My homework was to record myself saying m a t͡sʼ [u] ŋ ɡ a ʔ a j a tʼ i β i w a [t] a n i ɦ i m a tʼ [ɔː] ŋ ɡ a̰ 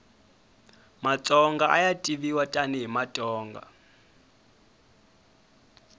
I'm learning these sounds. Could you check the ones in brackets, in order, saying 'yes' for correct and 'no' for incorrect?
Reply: no, no, yes

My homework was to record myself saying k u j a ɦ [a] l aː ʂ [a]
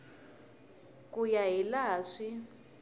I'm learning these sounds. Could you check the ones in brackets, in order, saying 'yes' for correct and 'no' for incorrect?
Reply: no, no

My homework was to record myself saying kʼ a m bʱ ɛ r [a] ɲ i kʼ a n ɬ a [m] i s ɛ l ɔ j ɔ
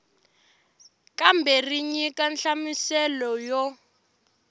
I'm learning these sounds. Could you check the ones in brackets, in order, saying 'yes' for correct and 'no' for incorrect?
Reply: no, yes

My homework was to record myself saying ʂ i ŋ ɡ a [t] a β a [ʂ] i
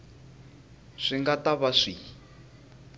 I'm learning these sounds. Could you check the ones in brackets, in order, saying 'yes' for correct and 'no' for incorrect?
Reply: yes, yes

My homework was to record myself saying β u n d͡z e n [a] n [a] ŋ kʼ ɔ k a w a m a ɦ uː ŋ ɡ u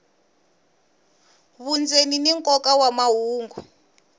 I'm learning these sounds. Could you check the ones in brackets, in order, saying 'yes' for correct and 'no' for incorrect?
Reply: no, no

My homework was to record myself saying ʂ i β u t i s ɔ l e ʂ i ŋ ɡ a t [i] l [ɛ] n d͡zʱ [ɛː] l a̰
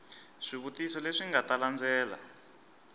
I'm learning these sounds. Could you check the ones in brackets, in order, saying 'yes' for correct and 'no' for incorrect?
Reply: no, no, yes

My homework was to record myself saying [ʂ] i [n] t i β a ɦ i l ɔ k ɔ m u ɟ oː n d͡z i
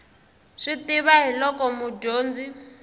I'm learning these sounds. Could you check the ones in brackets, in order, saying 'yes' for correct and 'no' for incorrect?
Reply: yes, no

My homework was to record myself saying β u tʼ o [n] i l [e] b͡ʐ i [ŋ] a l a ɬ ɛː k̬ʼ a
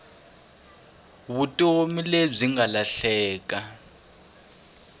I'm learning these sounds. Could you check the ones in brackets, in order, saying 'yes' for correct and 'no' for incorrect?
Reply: no, yes, yes

